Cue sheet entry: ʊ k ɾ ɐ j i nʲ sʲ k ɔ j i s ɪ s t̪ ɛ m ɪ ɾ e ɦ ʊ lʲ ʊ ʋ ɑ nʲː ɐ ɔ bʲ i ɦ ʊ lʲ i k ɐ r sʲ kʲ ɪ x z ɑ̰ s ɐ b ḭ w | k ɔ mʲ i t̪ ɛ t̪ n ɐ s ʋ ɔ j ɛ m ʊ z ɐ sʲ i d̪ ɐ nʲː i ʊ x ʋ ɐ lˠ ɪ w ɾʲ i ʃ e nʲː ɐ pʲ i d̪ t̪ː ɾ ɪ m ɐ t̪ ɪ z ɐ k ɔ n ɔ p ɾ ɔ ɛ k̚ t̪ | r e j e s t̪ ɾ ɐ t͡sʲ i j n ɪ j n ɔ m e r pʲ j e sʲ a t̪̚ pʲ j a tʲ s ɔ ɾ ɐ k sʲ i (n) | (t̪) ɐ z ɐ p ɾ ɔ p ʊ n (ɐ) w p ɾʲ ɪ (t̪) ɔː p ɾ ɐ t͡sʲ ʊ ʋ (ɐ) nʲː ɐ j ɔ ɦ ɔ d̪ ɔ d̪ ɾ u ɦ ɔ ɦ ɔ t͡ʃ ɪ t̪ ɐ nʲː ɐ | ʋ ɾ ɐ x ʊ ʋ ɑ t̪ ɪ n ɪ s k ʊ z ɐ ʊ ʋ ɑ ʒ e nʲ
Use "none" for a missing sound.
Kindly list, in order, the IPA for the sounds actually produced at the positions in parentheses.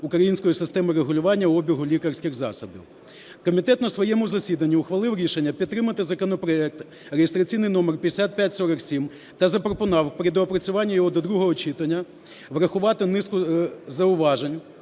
m, t̪, ɑ, d̪, ɑ

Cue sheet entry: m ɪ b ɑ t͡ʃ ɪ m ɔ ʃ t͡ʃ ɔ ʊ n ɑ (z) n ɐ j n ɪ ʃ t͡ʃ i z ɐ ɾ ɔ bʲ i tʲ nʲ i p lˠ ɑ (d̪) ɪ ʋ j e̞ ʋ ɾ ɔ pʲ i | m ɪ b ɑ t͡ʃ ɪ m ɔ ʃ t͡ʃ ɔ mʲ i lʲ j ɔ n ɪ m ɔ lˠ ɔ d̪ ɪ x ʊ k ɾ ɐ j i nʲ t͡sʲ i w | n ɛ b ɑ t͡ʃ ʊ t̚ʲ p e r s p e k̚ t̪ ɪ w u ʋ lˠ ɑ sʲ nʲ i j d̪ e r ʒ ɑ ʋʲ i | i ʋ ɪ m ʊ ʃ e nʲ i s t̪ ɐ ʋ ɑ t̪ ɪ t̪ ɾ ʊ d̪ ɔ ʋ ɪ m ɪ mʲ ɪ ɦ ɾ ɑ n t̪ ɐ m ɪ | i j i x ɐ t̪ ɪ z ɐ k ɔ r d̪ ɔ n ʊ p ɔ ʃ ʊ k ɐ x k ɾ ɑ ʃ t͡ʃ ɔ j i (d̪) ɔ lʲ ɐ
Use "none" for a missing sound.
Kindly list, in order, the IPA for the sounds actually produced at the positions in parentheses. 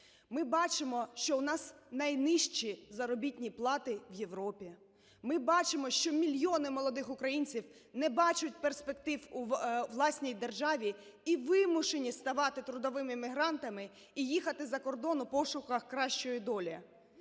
s, t̪, d̪

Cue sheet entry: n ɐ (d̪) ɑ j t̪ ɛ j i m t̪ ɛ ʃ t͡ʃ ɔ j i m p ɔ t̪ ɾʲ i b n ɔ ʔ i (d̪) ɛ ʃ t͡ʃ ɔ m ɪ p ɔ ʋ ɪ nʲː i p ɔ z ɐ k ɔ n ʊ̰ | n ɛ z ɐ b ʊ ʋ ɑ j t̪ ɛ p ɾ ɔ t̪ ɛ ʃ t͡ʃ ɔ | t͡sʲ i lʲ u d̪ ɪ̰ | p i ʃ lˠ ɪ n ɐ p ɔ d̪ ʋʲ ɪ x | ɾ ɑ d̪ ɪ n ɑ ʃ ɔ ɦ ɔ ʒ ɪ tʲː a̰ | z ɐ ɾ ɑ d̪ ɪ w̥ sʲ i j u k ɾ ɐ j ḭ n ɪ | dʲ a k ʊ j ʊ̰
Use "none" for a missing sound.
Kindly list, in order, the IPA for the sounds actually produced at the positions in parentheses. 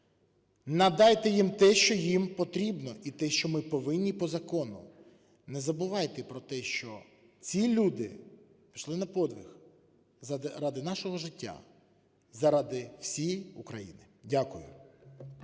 d̪, t̪

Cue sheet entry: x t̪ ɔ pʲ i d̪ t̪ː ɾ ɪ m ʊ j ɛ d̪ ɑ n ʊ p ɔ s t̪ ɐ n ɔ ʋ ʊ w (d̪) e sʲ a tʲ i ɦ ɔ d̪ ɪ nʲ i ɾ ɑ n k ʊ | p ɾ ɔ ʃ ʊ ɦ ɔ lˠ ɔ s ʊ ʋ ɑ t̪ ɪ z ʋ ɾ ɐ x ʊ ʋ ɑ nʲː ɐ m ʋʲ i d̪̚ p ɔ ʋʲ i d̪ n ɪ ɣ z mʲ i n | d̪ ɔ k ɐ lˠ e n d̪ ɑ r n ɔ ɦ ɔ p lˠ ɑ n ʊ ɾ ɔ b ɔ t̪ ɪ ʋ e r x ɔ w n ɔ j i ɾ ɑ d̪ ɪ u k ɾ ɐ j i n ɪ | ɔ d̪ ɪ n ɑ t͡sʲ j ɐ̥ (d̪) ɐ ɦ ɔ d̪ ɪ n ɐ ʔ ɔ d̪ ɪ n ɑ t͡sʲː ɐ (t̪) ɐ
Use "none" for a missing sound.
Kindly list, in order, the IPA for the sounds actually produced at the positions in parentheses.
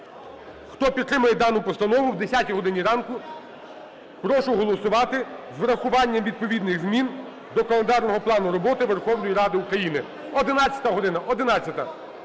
d̪, t̪, t̪

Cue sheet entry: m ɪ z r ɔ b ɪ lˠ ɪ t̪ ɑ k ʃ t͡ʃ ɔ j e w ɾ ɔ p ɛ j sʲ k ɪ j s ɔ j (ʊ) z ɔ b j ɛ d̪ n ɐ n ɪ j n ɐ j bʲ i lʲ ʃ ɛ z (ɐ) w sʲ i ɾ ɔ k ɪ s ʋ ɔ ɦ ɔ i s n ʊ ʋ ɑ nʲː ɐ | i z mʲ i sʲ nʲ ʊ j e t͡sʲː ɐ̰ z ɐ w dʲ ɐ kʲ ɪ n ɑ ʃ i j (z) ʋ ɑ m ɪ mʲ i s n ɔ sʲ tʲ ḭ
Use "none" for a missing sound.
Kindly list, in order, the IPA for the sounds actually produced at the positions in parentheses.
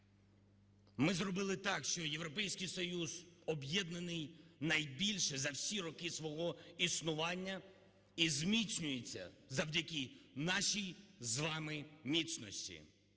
u, ɐ, z

